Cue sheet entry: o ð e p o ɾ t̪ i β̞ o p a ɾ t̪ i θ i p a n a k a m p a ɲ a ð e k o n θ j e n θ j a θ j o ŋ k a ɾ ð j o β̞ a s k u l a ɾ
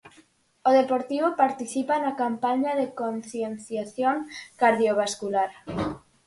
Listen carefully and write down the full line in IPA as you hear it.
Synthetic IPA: o ð e p o ɾ t̪ i β̞ o p a ɾ t̪ i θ i p a n a k a m p a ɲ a ð e k o n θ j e n θ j a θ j o ŋ k a ɾ ð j o β̞ a s k u l a ɾ